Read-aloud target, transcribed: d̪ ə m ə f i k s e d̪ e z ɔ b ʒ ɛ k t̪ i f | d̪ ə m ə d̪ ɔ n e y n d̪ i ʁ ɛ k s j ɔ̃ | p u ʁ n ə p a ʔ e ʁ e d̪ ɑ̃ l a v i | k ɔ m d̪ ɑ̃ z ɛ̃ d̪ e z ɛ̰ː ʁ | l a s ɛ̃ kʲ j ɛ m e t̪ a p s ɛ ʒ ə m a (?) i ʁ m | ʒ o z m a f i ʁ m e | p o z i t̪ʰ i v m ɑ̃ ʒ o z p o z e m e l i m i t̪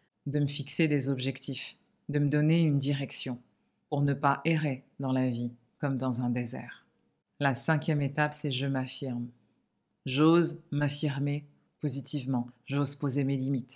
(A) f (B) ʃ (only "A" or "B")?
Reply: A